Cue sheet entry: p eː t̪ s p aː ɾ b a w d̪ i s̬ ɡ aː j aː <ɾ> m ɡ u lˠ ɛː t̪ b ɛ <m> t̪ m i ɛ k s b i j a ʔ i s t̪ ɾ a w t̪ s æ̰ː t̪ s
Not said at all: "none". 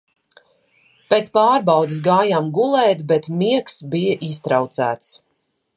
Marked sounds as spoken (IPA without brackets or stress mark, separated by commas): none, none